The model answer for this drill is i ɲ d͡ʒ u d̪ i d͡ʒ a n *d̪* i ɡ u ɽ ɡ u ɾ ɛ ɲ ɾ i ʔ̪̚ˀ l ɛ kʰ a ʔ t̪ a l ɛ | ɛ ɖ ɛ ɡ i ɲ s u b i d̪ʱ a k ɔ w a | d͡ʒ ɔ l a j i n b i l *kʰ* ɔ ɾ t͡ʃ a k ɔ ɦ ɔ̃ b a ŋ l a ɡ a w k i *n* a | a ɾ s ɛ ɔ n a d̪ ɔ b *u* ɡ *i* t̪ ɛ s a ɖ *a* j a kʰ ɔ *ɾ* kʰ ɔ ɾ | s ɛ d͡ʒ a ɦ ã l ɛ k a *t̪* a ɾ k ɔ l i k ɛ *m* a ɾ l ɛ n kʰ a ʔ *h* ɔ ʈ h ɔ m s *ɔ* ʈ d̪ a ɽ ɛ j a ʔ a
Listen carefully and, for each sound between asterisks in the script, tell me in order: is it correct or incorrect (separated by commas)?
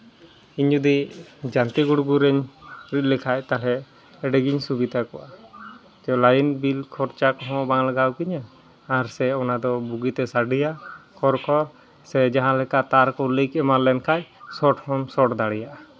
incorrect, correct, incorrect, correct, correct, incorrect, correct, correct, correct, incorrect, correct